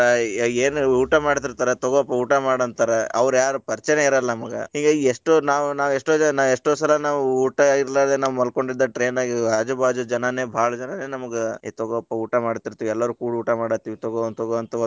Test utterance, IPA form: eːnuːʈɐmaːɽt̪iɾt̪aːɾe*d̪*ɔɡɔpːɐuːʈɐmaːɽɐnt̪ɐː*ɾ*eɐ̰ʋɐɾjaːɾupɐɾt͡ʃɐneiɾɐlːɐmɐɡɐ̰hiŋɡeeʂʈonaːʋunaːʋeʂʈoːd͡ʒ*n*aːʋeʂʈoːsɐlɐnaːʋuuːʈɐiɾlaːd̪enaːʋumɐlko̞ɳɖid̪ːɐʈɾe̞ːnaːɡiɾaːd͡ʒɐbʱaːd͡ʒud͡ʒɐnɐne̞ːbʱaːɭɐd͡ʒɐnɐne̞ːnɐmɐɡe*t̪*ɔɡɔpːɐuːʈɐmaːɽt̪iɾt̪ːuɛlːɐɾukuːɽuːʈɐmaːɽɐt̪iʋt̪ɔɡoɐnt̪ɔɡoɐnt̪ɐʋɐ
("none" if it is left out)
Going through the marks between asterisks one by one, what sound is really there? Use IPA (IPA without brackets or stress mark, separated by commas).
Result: t̪, ɾ, n, t̪